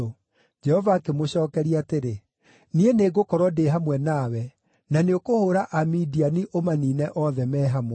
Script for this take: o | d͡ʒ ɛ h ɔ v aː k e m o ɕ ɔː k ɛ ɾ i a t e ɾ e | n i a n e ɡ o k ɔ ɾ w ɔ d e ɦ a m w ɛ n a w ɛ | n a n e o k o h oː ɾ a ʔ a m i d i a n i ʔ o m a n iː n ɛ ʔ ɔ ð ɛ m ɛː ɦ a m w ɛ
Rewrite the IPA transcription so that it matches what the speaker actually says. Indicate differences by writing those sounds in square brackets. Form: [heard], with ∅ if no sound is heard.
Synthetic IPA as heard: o | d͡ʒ ɛ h ɔ v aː k e m o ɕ ɔː k ɛ ɾ i a t e ɾ e | n i [e] n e ɡ o k ɔ ɾ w ɔ d e ɦ a m w ɛ n a w ɛ | n a n e o k o h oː ɾ a ʔ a m i d i a n i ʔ o m a n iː n ɛ ʔ ɔ ð ɛ m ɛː ɦ a m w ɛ

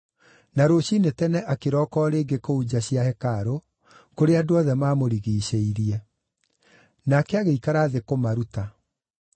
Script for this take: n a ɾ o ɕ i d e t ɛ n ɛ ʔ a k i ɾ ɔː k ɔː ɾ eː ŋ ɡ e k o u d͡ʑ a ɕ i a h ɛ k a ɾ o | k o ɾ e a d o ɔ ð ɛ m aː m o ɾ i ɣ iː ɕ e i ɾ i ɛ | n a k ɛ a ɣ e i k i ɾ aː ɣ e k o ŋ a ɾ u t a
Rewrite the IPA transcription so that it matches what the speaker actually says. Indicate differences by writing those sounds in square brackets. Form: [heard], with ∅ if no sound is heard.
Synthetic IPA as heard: n a ɾ o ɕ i [n] e t ɛ n ɛ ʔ a k [e] ɾ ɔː k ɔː ɾ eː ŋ ɡ e k o u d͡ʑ a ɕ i a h ɛ k a ɾ o | k o ɾ e a d o ɔ ð ɛ m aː m o ɾ i ɣ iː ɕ e i ɾ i ɛ | n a k ɛ a ɣ e i k [a] ɾ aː [ð] e k o [m] a ɾ u t a

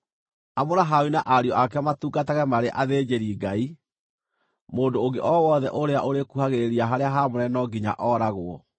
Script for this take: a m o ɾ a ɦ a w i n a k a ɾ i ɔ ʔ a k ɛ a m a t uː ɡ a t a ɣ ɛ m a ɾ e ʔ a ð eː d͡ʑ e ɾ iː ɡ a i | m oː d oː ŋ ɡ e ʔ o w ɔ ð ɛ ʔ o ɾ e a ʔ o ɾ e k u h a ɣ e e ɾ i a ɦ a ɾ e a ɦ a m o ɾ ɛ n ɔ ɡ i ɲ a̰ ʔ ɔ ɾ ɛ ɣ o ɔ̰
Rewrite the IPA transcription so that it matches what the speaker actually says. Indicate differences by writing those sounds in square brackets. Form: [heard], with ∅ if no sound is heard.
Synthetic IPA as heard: a m o ɾ a ɦ a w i n a [ʔ] a ɾ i ɔ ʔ a k ɛ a m a t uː ɡ a t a ɣ ɛ m a ɾ e ʔ a ð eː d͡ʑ e ɾ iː ɡ a i | m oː d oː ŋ ɡ e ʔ [ɔ] w ɔ ð ɛ ʔ o ɾ e a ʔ o ɾ e k u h a ɣ e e ɾ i a ɦ a ɾ e a ɦ a m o ɾ ɛ n ɔ ɡ i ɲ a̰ ʔ ɔ ɾ [a] ɣ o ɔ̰

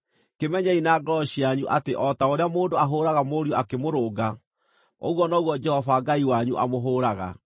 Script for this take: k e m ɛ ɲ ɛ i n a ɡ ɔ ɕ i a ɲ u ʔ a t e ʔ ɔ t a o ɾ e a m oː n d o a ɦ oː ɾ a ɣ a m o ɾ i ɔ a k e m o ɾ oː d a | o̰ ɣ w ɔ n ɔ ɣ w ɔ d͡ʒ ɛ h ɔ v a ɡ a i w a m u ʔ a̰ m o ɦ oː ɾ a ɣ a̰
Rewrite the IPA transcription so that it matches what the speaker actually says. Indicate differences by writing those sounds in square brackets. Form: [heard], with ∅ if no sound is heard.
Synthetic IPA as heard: k e m ɛ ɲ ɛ i n a ɡ ɔ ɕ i a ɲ u ʔ a t e ʔ ɔ t a o ɾ e a m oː n d o a ɦ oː ɾ a ɣ a m o ɾ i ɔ a k e m o ɾ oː [ɡ] a | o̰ ɣ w ɔ n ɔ ɣ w ɔ d͡ʒ ɛ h ɔ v a ɡ a i w a [ɲ] u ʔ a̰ m o ɦ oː ɾ a ɣ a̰

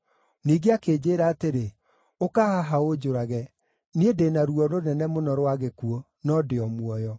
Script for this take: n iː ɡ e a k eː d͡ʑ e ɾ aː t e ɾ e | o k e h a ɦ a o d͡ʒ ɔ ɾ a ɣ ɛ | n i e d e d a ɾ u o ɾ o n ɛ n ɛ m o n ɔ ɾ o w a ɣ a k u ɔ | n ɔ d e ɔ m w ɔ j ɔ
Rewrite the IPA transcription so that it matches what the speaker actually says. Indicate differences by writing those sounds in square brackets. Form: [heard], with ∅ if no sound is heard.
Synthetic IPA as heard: n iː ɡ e a k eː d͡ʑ e ɾ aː t e ɾ e | o k [a] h a ɦ a o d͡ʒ [o] ɾ a ɣ ɛ | n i e d e [n] a ɾ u [ɔ] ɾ o n ɛ n ɛ m o n ɔ ɾ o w a ɣ [e] k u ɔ | n ɔ d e ɔ m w ɔ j ɔ

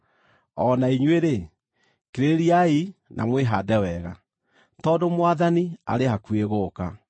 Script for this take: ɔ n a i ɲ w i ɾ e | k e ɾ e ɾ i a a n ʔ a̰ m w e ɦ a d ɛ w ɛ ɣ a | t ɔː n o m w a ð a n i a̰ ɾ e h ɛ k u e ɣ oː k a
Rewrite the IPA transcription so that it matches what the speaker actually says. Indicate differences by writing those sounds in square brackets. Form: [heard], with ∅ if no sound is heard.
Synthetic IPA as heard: ɔ n a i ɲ w [e] ɾ e | k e ɾ e ɾ i a [i] n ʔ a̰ m w e ɦ a d ɛ w ɛ ɣ a | t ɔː [d] o m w a ð a n i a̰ ɾ e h [a] k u e ɣ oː k a

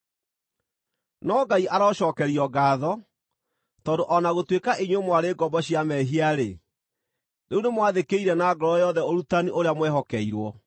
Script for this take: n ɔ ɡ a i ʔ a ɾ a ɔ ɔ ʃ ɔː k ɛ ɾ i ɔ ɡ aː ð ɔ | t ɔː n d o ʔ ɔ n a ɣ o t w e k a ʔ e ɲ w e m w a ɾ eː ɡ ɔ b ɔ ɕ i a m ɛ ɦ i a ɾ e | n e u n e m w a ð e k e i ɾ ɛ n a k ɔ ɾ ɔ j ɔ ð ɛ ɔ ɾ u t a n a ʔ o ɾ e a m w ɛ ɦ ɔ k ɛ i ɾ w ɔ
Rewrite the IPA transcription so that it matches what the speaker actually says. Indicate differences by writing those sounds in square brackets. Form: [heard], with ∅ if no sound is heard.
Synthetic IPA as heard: n ɔ ɡ a i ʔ a ɾ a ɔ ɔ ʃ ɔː k ɛ ɾ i ɔ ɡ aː ð ɔ | t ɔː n d o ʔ ɔ n a ɣ o t w e k a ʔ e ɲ w e m w a ɾ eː ɡ ɔ b ɔ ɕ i a m ɛ ɦ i a ɾ e | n e u n e m w a ð e k e i ɾ ɛ n a [ɡ] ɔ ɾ ɔ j ɔ ð ɛ [o] ɾ u t a n [i] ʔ o ɾ e a m w ɛ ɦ ɔ k ɛ i ɾ w ɔ

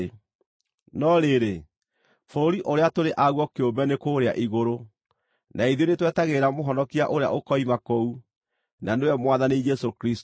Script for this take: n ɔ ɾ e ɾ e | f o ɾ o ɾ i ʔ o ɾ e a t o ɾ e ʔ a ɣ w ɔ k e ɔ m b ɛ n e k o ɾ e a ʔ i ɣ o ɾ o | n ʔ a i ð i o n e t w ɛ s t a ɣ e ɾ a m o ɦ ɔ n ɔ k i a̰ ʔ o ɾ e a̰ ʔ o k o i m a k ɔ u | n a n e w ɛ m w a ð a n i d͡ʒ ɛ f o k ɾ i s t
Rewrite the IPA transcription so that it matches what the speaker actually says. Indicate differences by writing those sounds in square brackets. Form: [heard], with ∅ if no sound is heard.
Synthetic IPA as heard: n ɔ ɾ e ɾ e | f o ɾ o ɾ i ʔ o ɾ e a t o ɾ e ʔ a ɣ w ɔ k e [o] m b ɛ n e k o ɾ e a ʔ i ɣ o ɾ o | n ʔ a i ð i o n e t w ɛ [∅] t a ɣ e ɾ a m o ɦ ɔ n ɔ k i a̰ ʔ o ɾ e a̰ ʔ o k [ɔ] i m a k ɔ u | n a n e w ɛ m w a ð a n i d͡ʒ ɛ [s] o k ɾ i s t

